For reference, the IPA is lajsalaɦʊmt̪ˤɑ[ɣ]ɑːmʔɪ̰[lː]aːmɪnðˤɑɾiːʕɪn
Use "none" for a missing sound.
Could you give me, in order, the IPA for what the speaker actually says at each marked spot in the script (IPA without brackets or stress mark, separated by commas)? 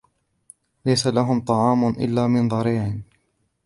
ʕ, lː